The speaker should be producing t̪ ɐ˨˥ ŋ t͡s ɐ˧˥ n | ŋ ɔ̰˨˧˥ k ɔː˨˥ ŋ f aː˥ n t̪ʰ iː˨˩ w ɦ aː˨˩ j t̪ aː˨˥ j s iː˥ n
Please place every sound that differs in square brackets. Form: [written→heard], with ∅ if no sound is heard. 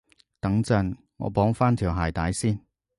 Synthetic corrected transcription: t̪ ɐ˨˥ ŋ t͡s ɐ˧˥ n | ŋ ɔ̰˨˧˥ [k→p] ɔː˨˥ ŋ f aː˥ n t̪ʰ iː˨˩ w ɦ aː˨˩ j t̪ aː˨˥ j s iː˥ n